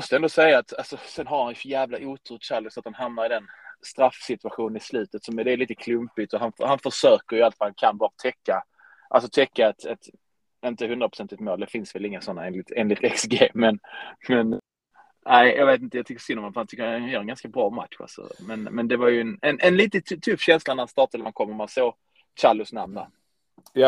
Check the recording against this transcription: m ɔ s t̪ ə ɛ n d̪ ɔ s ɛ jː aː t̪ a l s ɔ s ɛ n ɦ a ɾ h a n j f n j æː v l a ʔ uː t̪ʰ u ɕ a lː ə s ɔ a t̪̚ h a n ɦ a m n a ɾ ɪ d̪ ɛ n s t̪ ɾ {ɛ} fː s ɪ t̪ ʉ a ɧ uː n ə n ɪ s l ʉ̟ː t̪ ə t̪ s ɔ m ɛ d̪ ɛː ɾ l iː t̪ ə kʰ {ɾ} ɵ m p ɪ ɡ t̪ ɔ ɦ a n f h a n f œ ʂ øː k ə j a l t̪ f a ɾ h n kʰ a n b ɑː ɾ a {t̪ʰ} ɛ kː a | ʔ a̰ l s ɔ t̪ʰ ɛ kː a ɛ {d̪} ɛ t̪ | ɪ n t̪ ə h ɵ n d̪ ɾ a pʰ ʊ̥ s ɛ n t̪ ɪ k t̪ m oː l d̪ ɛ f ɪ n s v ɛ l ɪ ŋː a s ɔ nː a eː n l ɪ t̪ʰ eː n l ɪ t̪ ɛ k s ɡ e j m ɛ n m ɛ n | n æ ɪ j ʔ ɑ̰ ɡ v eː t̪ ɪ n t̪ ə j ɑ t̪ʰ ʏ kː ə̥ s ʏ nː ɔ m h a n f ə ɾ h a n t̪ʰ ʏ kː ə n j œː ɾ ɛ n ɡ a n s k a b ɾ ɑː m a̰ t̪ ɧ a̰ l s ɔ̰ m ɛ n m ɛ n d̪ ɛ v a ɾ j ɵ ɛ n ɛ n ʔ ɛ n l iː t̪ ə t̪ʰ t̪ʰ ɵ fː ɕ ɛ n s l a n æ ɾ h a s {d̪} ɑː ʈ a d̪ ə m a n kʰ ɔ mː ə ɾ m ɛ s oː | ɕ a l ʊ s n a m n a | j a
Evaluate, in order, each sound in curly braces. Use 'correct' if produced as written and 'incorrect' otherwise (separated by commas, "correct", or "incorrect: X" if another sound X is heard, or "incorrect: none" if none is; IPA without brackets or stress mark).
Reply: incorrect: a, incorrect: l, correct, incorrect: t̪, incorrect: t̪